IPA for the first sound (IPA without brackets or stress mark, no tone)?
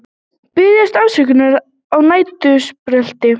p